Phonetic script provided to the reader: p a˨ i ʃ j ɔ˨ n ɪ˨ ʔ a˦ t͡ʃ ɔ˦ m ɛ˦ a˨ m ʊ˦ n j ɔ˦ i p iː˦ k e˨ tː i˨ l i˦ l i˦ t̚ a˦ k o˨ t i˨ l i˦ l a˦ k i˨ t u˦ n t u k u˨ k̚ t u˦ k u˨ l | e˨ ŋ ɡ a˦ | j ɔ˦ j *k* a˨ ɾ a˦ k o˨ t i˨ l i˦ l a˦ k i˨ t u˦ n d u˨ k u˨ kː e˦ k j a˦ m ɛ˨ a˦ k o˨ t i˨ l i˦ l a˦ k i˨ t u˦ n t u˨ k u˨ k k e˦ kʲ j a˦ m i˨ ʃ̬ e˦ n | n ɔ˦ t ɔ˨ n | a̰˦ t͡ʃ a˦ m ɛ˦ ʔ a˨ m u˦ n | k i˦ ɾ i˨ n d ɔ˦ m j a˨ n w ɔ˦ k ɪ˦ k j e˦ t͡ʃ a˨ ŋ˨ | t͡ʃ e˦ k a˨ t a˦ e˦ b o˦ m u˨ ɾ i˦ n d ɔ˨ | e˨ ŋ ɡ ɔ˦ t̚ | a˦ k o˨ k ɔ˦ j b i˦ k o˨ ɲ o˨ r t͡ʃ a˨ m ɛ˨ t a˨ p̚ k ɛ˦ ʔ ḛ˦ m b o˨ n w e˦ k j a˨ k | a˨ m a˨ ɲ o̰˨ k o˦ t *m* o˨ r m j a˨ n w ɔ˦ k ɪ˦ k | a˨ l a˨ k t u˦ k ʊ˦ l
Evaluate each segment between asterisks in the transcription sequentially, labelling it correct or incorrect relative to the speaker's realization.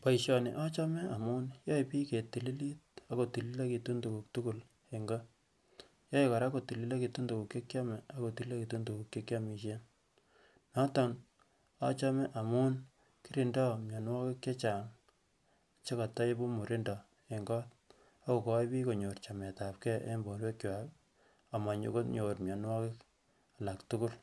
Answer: correct, incorrect: ɲ

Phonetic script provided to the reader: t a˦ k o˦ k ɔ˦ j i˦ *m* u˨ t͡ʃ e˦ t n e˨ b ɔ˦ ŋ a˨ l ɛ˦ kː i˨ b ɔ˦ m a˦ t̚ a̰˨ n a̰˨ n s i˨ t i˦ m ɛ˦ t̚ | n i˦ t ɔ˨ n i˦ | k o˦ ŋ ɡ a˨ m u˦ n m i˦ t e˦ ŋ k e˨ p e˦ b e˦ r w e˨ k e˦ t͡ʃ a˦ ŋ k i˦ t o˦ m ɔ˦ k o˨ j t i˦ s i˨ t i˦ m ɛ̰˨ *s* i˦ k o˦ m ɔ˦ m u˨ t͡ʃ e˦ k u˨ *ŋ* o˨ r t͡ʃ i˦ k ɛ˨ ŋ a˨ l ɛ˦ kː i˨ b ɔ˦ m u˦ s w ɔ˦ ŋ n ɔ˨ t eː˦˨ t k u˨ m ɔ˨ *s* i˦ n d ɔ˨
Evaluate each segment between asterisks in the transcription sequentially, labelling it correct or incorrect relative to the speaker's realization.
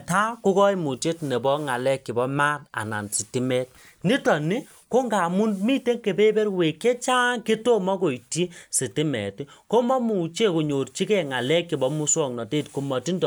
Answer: correct, incorrect: t, incorrect: ɲ, incorrect: t

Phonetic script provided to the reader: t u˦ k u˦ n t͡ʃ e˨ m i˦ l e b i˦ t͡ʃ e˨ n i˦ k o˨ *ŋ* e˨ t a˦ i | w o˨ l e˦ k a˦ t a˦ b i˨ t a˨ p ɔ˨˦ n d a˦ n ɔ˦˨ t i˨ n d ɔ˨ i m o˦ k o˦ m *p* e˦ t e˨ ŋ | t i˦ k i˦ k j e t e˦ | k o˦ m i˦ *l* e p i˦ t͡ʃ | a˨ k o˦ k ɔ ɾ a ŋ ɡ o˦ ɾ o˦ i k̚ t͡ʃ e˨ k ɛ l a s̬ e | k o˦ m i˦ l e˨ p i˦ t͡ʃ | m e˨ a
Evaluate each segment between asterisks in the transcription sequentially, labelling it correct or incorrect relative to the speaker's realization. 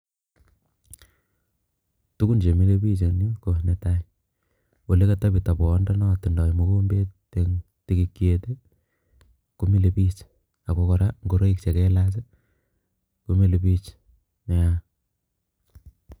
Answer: incorrect: n, incorrect: b, correct

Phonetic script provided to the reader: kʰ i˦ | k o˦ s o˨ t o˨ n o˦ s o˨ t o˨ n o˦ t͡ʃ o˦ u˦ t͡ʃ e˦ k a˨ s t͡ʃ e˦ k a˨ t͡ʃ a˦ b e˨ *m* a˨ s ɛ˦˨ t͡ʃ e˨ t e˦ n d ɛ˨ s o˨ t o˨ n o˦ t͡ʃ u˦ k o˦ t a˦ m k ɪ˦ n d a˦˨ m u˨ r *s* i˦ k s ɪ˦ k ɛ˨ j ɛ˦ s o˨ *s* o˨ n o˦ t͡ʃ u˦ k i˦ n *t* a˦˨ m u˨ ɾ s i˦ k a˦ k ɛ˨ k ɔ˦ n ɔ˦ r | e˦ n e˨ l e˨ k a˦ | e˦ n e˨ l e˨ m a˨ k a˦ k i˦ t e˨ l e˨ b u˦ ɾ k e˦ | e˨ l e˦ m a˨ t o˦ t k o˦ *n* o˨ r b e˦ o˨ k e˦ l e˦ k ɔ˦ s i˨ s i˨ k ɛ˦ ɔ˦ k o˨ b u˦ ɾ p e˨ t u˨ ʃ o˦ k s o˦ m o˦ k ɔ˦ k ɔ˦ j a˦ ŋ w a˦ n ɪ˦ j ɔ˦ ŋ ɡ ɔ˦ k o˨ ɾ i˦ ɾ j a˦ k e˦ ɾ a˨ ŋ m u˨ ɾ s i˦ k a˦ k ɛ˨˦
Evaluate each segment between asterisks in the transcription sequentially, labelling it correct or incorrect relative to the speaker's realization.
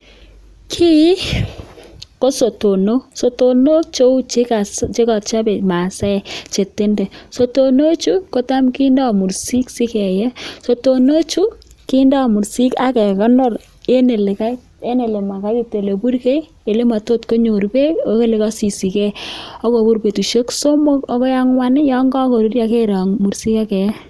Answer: correct, correct, incorrect: t, incorrect: d, incorrect: ɲ

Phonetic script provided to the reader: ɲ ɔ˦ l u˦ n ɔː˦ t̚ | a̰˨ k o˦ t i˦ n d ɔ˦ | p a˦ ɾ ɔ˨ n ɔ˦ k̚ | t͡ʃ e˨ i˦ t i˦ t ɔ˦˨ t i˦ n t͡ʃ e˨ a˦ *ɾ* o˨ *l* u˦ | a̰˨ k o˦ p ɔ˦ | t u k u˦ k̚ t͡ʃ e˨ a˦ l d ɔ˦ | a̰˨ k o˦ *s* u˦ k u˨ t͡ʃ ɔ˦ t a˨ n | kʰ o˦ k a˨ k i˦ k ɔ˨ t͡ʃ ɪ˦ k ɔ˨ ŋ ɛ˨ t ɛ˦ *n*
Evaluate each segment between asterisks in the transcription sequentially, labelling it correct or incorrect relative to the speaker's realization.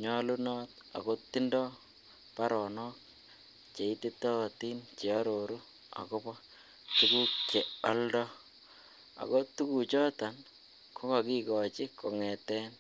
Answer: correct, incorrect: ɾ, incorrect: t, correct

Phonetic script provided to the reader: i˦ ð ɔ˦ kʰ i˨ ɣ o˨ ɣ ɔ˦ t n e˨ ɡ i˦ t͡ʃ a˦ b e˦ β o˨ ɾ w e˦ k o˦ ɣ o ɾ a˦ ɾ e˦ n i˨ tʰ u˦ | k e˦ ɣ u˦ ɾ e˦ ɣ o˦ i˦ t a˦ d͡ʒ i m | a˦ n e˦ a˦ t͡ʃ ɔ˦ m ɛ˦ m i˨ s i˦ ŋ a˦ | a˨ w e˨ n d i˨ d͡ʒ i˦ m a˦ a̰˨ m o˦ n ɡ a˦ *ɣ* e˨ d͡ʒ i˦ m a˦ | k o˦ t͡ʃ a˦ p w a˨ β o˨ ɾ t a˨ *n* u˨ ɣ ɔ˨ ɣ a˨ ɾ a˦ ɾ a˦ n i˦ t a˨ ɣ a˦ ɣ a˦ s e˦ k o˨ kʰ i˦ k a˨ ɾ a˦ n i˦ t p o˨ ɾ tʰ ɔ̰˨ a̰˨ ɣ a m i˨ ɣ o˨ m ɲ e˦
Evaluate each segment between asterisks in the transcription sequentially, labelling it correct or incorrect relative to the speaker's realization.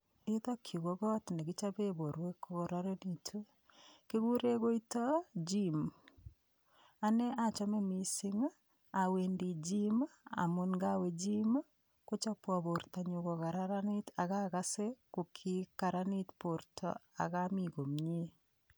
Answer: incorrect: w, incorrect: ɲ

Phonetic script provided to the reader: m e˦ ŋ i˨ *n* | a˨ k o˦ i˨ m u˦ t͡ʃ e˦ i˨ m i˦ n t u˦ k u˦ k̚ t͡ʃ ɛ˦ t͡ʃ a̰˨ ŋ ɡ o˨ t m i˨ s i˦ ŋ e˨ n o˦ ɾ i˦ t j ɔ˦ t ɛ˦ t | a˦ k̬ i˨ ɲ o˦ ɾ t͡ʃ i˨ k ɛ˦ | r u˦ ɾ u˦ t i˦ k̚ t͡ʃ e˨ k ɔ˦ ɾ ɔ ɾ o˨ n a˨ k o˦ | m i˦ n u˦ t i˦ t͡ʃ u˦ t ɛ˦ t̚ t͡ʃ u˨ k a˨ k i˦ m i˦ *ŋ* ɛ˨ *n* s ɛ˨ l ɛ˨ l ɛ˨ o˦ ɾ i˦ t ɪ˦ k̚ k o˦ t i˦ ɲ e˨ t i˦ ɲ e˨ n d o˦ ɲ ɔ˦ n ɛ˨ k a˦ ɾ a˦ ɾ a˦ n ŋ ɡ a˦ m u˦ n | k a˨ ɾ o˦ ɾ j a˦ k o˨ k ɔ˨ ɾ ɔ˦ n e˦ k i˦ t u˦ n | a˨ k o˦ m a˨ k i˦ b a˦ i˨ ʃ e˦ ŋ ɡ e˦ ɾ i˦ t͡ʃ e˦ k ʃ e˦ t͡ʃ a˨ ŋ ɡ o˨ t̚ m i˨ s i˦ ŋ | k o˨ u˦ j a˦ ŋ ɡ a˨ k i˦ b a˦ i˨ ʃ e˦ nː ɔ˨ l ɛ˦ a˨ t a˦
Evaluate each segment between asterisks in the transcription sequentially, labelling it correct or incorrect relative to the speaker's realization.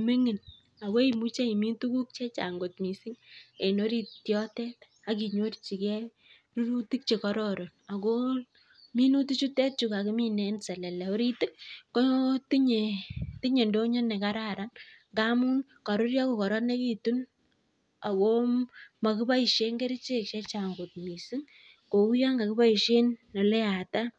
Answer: correct, incorrect: n, correct

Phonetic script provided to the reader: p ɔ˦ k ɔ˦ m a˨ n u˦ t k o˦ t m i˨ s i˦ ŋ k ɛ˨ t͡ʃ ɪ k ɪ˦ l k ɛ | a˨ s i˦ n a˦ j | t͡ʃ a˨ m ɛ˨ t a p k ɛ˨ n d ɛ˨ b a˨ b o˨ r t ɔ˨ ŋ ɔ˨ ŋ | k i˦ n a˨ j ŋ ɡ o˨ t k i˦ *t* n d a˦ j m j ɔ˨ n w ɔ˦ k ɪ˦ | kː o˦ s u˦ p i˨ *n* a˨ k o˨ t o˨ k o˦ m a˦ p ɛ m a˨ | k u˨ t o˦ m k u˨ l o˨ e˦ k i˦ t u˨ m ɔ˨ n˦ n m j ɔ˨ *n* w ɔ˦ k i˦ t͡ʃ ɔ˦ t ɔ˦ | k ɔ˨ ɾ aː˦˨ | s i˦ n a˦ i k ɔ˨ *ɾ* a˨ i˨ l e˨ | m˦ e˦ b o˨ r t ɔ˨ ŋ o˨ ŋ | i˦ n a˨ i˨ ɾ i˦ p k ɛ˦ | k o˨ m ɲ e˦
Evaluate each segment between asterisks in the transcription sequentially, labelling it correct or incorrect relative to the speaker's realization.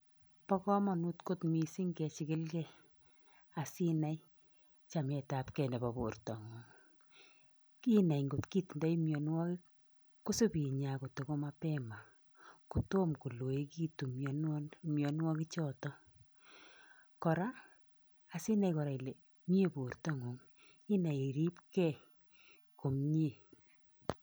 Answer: correct, incorrect: ɲ, correct, correct

